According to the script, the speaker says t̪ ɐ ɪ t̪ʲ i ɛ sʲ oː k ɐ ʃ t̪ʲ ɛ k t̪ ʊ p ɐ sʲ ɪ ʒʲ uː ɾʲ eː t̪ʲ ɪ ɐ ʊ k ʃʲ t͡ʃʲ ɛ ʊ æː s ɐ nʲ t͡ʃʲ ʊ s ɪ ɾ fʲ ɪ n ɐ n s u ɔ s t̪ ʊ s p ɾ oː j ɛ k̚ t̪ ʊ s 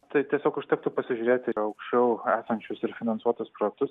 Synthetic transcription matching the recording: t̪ ɐ ɪ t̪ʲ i ɛ sʲ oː k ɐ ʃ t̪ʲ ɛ k t̪ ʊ p ɐ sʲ ɪ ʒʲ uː ɾʲ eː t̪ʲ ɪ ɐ ʊ k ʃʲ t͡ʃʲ ɛ ʊ æː s ɐ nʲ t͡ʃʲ ʊ s ɪ ɾ fʲ ɪ n ɐ n s u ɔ t̪ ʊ s p ɾ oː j ɛ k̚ t̪ ʊ s